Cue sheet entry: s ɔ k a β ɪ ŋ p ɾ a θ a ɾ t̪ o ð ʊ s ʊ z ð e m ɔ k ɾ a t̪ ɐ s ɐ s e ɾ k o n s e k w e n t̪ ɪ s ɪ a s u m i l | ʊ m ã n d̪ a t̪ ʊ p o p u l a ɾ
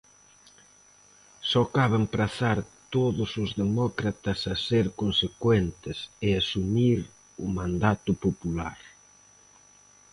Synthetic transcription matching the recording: s ɔ k a β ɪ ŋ p ɾ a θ a ɾ t̪ o ð ʊ s ʊ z ð e m ɔ k ɾ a t̪ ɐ s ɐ s e ɾ k o n s e k w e n t̪ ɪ s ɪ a s u m i ɾ | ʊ m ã n d̪ a t̪ ʊ p o p u l a ɾ